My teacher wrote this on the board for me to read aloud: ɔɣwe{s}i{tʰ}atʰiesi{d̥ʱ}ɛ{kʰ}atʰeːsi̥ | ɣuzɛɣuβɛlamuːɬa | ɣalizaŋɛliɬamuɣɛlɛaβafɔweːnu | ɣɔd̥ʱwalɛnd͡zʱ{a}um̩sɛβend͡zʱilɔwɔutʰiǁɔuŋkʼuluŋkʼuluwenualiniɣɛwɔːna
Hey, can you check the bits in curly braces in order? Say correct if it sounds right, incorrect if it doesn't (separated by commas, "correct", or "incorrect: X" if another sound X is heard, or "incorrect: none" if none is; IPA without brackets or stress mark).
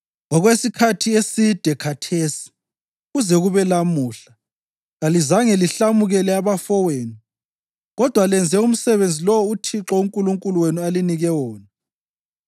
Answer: correct, incorrect: kʰ, correct, correct, incorrect: ɛ